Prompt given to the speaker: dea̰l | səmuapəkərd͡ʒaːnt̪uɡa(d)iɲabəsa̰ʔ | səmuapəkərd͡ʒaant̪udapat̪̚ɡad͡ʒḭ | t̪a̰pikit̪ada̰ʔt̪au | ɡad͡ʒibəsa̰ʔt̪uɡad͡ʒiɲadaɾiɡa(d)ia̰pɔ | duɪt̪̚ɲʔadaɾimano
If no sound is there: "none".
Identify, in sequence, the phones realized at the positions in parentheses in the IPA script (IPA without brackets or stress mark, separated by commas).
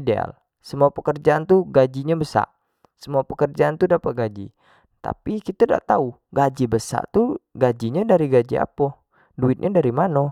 d͡ʒ, d͡ʒ